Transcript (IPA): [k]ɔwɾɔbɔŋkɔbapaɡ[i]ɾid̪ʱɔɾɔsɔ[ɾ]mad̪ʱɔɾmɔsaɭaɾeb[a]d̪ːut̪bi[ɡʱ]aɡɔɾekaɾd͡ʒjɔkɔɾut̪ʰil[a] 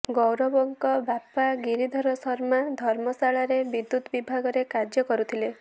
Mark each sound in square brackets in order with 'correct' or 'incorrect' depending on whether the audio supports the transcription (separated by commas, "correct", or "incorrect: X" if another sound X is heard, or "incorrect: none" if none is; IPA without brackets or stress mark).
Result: incorrect: ɡ, correct, correct, incorrect: i, incorrect: bʱ, incorrect: e